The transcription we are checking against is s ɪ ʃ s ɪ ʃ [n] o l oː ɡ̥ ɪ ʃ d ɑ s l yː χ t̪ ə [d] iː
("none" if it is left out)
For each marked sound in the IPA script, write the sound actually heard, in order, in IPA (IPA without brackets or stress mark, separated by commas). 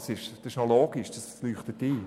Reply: n, t